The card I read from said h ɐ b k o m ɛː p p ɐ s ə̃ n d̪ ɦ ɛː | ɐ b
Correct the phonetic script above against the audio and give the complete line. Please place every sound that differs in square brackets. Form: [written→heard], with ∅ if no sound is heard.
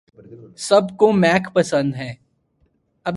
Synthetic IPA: [h→s] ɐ b k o m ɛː [p→k] p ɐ s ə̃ n d̪ ɦ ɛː | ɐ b